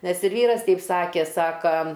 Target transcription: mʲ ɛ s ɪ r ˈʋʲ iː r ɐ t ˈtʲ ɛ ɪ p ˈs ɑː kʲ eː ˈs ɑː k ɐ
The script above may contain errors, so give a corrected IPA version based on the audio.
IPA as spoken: nʲ ɛ s ɪ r ˈʋʲ iː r ɐ s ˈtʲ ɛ ɪ p ˈs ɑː kʲ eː ˈs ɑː k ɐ

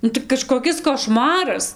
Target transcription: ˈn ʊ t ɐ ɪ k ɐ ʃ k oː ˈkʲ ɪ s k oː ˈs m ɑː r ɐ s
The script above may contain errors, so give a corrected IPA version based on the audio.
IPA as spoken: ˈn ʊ t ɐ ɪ k ɐ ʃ k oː ˈkʲ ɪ s k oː ˈʃ m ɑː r ɐ s

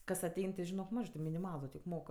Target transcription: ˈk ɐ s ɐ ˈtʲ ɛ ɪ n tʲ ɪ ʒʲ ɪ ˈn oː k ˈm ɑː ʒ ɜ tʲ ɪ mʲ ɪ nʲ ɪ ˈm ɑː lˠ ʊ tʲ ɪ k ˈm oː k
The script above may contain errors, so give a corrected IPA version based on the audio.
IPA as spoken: ˈk ɐ s ɐ ˈtʲ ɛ ɪ n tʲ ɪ ʒʲ ɪ ˈn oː k ˈm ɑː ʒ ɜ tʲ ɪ mʲ ɪ nʲ ɪ ˈm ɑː lˠ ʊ tʲ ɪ k ˈm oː k

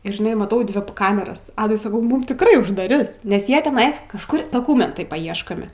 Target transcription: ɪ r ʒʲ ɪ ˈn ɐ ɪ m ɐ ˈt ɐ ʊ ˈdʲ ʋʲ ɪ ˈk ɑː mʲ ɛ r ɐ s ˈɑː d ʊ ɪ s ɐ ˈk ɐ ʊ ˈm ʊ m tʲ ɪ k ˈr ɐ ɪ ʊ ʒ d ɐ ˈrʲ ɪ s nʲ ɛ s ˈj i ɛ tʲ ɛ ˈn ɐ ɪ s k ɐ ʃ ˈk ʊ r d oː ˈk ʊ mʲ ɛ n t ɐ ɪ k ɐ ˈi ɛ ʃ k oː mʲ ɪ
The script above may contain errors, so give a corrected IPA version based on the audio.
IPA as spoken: ɪ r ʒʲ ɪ ˈn ɐ ɪ m ɐ ˈt ɐ ʊ ˈdʲ ʋʲ ɪ ˈk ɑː mʲ ɛ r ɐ s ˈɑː d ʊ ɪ s ɐ ˈk ɐ ʊ ˈm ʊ m tʲ ɪ k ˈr ɐ ɪ ʊ ʒ d ɐ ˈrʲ ɪ s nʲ ɛ s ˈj i ɛ tʲ ɛ ˈn ɐ ɪ s k ɐ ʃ ˈk ʊ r d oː ˈk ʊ mʲ ɛ n t ɐ ɪ p ɐ ˈi ɛ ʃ k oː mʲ ɪ

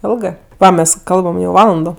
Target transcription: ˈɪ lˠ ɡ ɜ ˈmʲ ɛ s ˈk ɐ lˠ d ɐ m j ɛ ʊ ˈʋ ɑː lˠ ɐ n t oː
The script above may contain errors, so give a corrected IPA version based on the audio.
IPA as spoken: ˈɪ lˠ ɡ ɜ ˈmʲ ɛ s ˈk ɐ lˠ b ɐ m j ɛ ʊ ˈʋ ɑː lˠ ɐ n d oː

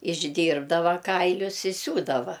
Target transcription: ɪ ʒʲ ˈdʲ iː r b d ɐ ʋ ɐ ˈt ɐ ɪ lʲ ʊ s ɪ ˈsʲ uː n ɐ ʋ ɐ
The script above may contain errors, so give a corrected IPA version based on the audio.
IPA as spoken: ɪ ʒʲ ˈdʲ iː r b d ɐ ʋ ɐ ˈk ɐ ɪ lʲ ʊ s ɪ ˈsʲ uː d ɐ ʋ ɐ

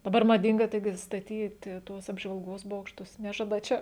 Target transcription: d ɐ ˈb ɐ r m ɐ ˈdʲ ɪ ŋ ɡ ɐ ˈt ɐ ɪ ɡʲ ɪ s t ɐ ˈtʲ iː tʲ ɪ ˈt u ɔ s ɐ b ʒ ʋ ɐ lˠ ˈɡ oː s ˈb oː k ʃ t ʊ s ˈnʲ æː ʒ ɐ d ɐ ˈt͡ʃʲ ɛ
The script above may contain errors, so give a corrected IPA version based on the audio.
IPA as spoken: d ɐ ˈb ɐ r m ɐ ˈdʲ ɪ ŋ ɡ ɐ ˈt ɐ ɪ ɡʲ ɪ s t ɐ ˈtʲ iː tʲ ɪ ˈt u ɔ s ɐ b ʒ ʋ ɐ lˠ ˈɡ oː s ˈb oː k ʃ t ʊ s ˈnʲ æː ʒ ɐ d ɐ ˈt͡ʃʲ ɛ

